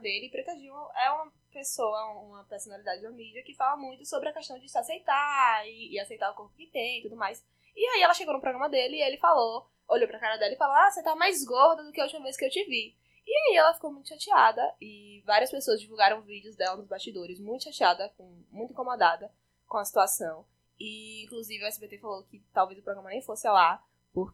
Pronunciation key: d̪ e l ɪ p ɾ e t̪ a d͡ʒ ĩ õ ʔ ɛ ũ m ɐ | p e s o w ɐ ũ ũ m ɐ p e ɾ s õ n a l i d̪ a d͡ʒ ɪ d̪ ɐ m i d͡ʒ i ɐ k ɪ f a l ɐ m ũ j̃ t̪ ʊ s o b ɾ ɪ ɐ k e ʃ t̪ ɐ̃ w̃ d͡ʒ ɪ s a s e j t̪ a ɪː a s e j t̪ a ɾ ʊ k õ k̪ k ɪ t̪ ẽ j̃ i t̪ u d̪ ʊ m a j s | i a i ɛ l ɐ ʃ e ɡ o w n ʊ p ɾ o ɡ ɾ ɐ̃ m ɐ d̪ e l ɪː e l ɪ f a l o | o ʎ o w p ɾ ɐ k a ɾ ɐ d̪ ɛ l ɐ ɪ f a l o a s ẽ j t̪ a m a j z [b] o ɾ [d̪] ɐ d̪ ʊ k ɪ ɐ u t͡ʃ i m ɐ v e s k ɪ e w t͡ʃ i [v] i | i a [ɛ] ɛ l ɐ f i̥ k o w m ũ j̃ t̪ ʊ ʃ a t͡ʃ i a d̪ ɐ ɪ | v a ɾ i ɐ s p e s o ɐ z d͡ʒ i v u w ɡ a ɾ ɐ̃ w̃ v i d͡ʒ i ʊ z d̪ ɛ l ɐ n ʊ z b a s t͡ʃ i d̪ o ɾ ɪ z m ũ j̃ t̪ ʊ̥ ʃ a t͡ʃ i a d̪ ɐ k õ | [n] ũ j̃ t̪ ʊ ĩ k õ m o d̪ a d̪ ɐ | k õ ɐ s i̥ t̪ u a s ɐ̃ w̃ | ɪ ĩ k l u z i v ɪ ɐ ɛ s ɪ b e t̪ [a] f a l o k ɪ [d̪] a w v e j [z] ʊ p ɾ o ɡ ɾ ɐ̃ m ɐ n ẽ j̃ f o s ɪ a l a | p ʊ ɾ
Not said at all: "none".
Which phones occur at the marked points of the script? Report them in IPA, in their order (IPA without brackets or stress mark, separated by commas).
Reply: ɡ, d̪, v, i, m, e, t̪, z